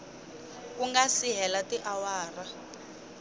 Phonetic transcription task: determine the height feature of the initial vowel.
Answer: high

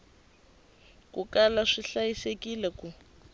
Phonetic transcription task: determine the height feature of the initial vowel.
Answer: high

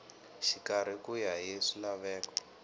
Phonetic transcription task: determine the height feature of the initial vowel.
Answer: high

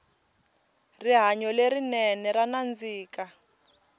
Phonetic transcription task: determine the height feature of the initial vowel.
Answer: high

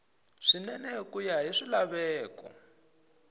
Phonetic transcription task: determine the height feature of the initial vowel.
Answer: high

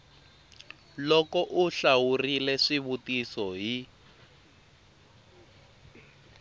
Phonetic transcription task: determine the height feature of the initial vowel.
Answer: mid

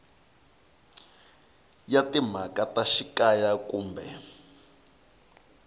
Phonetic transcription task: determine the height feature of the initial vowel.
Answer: low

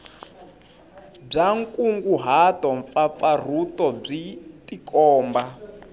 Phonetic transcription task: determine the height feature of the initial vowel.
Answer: low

